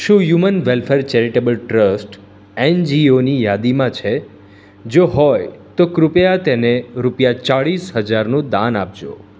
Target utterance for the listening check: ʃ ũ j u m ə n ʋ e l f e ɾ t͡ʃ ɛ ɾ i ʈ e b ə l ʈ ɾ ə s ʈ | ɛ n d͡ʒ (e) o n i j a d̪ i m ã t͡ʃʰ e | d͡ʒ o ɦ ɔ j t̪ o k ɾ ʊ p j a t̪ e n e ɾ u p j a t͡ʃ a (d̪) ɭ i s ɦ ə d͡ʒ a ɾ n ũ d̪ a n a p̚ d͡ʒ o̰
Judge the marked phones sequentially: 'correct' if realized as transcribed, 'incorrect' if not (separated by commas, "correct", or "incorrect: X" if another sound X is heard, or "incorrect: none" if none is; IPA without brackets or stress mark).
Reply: incorrect: i, incorrect: none